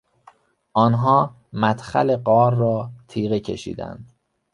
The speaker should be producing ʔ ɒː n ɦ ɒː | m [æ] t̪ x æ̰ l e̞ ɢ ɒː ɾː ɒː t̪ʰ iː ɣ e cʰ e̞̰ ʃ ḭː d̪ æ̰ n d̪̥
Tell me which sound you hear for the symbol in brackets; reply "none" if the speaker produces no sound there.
æ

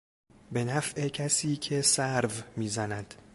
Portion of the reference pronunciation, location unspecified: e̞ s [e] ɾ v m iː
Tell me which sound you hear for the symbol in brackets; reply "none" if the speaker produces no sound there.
æ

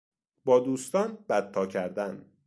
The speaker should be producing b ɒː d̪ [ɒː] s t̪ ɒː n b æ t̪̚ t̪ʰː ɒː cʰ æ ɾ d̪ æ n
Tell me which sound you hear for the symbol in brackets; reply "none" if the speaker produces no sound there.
uː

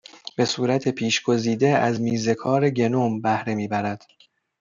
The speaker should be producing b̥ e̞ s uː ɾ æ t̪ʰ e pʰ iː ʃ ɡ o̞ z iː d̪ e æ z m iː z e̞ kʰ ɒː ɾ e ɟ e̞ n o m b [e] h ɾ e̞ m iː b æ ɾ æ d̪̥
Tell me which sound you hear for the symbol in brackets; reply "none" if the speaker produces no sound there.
æ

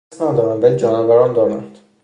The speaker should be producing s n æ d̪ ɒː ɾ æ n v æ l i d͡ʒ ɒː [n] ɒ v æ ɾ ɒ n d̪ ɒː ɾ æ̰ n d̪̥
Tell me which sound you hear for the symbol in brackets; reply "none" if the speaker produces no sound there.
n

